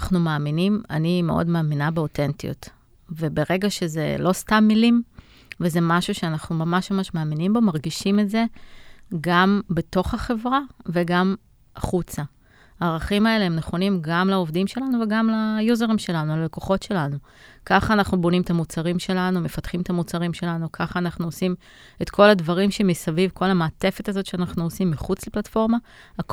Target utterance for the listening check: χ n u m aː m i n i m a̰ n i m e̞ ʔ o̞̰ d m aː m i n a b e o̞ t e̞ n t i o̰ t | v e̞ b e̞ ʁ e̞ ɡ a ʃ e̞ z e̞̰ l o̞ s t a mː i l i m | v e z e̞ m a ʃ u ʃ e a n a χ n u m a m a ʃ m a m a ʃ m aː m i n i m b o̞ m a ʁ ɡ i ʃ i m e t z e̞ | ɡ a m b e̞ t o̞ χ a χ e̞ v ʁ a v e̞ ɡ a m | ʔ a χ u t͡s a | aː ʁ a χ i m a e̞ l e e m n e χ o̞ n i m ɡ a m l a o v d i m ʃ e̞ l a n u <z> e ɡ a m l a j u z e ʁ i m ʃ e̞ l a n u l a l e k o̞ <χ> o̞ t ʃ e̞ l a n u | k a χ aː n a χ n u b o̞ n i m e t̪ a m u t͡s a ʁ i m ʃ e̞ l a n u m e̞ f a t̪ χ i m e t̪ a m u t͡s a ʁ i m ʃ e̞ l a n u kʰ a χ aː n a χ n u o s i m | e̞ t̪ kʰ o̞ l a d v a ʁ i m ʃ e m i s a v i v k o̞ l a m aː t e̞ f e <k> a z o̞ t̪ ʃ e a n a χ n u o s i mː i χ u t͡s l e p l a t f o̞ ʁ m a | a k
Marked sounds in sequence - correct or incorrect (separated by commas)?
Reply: incorrect, correct, incorrect